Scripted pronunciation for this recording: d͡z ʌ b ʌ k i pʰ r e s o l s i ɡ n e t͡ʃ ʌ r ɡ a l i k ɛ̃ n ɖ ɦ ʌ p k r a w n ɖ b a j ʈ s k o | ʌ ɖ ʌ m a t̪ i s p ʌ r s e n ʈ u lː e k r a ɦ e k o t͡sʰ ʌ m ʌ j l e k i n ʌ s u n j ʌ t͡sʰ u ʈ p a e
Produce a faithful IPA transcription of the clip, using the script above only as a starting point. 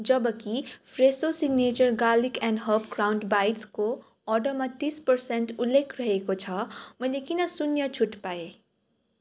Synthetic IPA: d͡z ʌ b ʌ k i pʰ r e s o s i ɡ n e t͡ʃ ʌ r ɡ a l i k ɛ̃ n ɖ ɦ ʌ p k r a w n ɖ b a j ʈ s k o | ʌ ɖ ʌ m a t̪ i s p ʌ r s e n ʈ u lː e kʰ r ʌ ɦ e k o t͡sʰ ʌ m ʌ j l e k i n ʌ s u n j ʌ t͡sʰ u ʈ p a e